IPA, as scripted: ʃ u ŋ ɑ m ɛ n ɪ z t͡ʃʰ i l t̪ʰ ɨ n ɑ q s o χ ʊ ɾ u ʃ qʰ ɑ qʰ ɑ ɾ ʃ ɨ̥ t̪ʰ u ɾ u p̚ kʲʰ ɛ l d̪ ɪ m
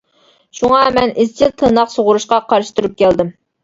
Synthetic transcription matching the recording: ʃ u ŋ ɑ m ɛ n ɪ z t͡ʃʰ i l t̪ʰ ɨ n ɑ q s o ʁ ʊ ɾ u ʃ q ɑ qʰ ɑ ɾ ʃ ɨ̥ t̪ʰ u ɾ u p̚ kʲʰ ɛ l d̪ ɪ m